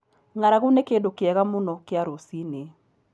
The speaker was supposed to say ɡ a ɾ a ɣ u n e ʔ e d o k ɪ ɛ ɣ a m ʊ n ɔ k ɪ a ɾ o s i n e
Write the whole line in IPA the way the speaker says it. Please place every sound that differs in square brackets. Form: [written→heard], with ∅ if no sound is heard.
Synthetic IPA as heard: [ɡ→ŋ] a ɾ a ɣ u n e [ʔ→k] e d o k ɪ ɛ ɣ a m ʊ n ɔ k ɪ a ɾ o s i n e